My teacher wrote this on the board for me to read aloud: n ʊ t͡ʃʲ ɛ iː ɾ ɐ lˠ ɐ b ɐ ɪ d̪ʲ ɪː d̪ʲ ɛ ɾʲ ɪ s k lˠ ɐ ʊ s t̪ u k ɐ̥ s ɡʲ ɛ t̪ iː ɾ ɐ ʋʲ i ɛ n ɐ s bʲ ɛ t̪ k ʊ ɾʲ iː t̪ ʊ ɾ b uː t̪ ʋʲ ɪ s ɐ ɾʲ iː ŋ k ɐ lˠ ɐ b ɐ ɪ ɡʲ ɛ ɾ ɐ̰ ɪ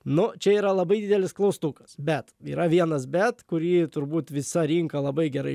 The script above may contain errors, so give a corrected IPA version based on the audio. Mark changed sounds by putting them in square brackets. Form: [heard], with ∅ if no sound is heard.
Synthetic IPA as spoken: n ʊ t͡ʃʲ ɛ iː ɾ ɐ lˠ ɐ b ɐ ɪ d̪ʲ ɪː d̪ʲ ɛ [lʲ] ɪ s k lˠ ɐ ʊ s t̪ u k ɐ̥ s [bʲ] ɛ t̪ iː ɾ ɐ ʋʲ i ɛ n ɐ s bʲ ɛ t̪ k ʊ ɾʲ iː t̪ ʊ ɾ b uː t̪ ʋʲ ɪ s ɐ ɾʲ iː ŋ k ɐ lˠ ɐ b ɐ ɪ ɡʲ ɛ ɾ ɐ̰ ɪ